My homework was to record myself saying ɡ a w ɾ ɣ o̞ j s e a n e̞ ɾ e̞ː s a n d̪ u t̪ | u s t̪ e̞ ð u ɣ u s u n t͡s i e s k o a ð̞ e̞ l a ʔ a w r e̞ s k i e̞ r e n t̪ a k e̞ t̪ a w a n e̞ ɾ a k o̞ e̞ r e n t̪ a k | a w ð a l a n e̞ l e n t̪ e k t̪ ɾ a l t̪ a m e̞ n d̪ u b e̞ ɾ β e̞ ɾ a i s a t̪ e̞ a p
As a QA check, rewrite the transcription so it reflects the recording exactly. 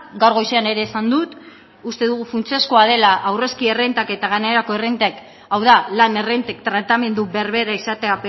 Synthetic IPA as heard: ɡ a w ɾ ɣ o̞ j s e a n e̞ ɾ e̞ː s a n d̪ u t̪ | u s t̪ e̞ ð u ɣ u f u n t͡s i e s k o a ð̞ e̞ l a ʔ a w r e̞ s k i e̞ r e n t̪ a k e̞ t̪ a ɣ a n e̞ ɾ a k o̞ e̞ r e n t̪ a k | a w ð a l a n e̞ r e n t̪ e k t̪ ɾ a t̪ a m e̞ n d̪ u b e̞ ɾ β e̞ ɾ a i s a t̪ e̞ a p